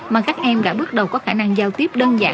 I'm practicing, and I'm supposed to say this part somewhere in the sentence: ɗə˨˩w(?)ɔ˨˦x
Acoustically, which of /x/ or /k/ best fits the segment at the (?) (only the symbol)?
k